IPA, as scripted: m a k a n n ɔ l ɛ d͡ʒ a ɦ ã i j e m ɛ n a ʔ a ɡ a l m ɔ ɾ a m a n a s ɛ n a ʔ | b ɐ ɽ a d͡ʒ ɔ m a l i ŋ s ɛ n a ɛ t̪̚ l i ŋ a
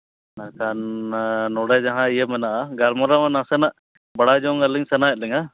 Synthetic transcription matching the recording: n a k a n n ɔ ɽ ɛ d͡ʒ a ɦ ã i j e m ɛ n a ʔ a ɡ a l m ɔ ɾ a m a n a s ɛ n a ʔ | b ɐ ɽ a d͡ʒ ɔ ŋ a l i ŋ s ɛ n a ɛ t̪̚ l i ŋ a